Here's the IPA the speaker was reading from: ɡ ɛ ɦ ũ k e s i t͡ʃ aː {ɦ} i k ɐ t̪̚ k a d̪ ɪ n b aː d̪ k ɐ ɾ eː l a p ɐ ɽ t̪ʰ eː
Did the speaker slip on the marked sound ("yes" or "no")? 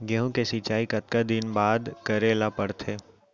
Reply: yes